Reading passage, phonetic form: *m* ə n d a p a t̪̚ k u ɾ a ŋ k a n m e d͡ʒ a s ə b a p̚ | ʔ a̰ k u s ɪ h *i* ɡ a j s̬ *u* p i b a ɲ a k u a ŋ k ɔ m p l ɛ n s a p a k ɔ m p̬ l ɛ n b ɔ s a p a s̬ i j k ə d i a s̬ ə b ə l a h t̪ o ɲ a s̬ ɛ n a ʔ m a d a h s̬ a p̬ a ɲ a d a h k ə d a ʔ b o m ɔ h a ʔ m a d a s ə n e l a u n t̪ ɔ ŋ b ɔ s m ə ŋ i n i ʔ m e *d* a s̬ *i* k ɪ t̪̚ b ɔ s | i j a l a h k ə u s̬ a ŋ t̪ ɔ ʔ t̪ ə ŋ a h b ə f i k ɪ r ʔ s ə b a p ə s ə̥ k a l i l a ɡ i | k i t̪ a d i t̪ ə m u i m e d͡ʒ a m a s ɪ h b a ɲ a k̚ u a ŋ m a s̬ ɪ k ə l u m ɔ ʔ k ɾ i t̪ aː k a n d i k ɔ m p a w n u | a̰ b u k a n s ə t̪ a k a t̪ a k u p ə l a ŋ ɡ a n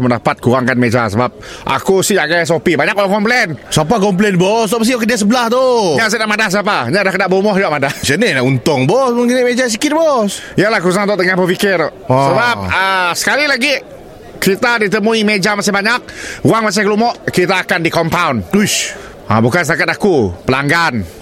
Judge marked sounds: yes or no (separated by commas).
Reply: yes, no, no, no, yes